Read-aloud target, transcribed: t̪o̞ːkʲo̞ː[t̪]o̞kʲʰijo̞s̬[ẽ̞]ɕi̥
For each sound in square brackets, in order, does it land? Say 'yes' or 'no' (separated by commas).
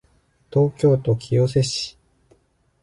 yes, no